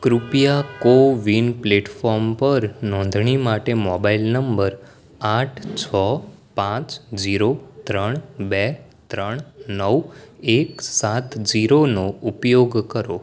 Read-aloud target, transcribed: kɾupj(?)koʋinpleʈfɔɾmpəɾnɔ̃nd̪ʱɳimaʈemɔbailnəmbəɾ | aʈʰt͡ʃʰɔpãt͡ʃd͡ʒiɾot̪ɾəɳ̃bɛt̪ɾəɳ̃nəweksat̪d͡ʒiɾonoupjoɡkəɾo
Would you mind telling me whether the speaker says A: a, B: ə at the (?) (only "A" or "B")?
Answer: A